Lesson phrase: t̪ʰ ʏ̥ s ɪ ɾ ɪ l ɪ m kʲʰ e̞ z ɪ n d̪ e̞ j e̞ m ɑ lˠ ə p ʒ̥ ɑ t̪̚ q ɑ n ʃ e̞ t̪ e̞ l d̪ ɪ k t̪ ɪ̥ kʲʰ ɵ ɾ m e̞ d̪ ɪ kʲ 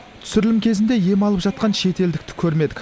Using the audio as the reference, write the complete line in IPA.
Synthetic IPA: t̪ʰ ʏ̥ s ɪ ɾ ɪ l ɪ m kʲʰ e̞ z ɪ n d̪ e̞ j e̞ m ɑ lˠ ə p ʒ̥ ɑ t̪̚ q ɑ n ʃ e̞ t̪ e̞ l d̪ ɪ k t̪ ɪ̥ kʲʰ ɵ ɾ m e̞ d̪ ɪ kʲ